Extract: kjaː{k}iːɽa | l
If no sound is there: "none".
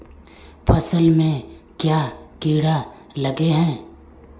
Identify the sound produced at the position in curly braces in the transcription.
k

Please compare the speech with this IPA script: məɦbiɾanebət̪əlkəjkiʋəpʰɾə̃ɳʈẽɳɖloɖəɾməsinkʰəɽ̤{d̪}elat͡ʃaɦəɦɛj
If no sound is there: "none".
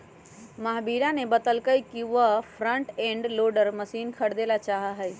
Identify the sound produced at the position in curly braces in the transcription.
d̪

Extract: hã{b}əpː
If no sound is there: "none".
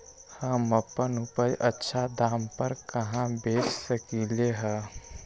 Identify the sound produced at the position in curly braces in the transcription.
m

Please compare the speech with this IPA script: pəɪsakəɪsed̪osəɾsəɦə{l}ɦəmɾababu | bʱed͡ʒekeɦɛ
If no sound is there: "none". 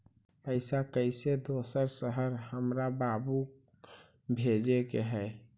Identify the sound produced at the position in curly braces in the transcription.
ɾ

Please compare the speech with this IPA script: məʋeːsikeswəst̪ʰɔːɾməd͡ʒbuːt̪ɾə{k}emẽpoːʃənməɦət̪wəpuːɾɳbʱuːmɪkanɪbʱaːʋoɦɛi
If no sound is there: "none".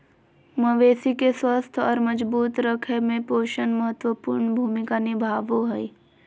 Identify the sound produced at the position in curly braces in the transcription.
kʰ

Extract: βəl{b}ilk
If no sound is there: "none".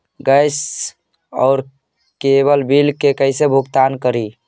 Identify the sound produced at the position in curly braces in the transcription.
b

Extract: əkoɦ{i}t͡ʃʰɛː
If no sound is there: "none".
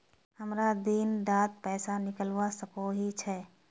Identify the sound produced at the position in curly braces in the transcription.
i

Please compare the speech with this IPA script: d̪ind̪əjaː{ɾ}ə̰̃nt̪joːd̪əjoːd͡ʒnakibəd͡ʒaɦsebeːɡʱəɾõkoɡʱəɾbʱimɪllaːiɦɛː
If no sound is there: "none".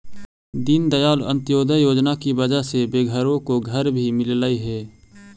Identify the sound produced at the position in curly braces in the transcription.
l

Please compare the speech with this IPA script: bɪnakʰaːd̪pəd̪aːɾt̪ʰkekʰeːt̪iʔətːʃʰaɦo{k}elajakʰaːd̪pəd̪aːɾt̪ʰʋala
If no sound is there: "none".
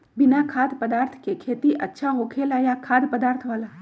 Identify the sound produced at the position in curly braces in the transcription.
kʰ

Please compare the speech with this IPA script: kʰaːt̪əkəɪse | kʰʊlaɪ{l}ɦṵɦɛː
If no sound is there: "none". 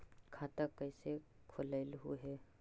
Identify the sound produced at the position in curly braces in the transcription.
l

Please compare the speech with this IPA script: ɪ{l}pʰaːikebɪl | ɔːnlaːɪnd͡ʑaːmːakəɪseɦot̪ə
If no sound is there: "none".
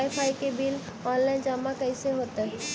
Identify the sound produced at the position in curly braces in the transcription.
none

